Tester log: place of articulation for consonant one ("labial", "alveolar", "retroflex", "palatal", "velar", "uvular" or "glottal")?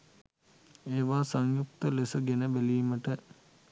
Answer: labial